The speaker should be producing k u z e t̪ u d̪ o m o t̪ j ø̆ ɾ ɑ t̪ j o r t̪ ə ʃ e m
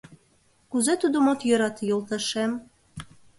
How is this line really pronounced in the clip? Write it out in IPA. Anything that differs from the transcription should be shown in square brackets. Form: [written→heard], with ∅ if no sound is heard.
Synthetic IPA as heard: k u z e t̪ u d̪ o m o t̪ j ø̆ ɾ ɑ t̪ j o [r→l] t̪ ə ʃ e m